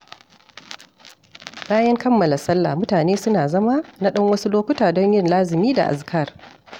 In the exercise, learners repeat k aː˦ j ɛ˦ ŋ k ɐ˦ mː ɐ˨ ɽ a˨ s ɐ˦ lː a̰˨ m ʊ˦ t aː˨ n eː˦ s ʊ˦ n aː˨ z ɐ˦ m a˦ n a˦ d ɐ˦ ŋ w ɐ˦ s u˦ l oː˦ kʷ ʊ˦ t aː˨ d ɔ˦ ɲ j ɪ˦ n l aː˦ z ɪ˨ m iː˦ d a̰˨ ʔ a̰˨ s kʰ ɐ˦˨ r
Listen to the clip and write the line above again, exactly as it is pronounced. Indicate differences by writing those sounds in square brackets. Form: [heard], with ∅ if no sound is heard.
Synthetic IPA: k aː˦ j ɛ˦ ŋ k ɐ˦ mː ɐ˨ [l] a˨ s ɐ˦ lː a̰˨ m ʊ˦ t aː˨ n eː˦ s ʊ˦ n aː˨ z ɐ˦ m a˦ n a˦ [ɗ] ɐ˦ ŋ w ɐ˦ s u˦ l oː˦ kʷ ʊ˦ t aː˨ d ɔ˦ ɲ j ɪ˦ n l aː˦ z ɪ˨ m iː˦ d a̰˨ ʔ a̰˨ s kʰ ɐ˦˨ r